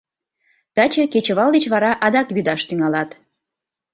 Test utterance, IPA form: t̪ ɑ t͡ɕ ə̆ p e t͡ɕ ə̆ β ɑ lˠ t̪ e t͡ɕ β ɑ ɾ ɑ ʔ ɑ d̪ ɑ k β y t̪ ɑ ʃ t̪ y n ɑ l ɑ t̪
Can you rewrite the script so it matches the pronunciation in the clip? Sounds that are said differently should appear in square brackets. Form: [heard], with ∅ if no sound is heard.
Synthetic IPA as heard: t̪ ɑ t͡ɕ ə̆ [k] e t͡ɕ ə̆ β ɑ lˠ [d̪] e t͡ɕ β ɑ ɾ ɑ ʔ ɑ d̪ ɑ k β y [d̪] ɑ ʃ t̪ y [ŋ] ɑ l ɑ t̪